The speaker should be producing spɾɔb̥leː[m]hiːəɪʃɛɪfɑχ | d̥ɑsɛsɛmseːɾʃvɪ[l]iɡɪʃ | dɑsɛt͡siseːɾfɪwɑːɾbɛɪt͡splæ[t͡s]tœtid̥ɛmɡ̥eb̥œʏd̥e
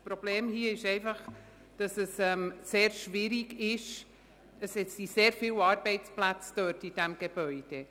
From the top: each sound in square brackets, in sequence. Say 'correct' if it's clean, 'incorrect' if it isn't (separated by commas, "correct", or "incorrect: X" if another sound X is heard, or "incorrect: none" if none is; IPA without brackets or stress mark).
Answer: correct, incorrect: ɾ, correct